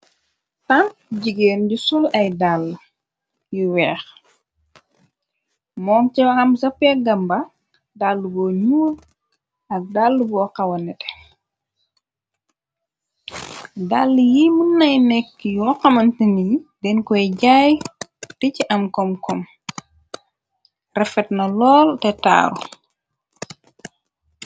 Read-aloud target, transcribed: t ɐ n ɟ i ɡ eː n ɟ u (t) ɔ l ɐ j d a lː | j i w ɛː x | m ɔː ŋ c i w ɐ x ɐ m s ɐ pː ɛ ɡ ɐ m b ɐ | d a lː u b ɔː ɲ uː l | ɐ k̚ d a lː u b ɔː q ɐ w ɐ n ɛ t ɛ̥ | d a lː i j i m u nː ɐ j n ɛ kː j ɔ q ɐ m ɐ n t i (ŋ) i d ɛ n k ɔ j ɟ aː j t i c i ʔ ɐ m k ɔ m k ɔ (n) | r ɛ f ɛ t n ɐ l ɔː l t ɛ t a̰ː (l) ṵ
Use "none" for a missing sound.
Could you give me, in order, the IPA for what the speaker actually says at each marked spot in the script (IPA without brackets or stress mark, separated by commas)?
s, n, m, ɾ